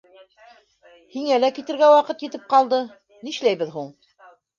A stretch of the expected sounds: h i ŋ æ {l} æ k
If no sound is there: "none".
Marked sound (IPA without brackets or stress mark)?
l